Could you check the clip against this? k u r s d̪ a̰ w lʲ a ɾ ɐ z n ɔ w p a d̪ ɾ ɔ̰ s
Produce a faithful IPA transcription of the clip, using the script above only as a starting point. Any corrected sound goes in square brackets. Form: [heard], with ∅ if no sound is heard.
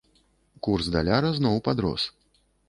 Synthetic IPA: k u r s d̪ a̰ [∅] lʲ a ɾ ɐ z n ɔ w p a d̪ ɾ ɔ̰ s